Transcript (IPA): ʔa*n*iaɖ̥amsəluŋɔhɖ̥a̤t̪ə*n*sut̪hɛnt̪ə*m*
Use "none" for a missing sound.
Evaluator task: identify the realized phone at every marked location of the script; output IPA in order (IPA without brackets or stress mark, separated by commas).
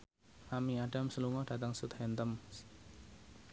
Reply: m, ŋ, m